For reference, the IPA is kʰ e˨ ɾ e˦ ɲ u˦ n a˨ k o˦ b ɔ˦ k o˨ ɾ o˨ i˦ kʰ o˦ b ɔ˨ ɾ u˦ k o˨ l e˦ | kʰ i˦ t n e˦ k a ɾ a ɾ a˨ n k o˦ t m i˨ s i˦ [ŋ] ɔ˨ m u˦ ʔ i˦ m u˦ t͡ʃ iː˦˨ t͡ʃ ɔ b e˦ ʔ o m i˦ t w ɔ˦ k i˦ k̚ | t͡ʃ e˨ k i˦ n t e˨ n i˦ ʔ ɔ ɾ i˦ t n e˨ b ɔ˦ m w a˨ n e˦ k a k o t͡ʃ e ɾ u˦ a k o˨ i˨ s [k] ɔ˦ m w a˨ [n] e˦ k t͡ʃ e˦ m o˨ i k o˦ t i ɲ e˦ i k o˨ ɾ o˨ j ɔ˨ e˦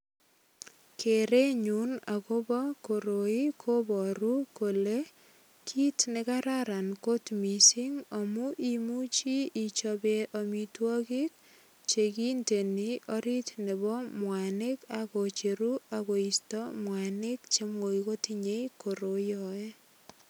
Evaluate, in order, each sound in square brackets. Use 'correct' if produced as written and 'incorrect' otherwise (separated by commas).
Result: correct, incorrect, correct